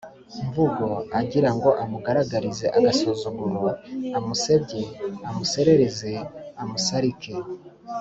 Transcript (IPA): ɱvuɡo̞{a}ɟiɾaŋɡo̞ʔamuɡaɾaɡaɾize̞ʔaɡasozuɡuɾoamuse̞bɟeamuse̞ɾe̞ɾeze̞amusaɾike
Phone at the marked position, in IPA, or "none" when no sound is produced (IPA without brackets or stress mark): a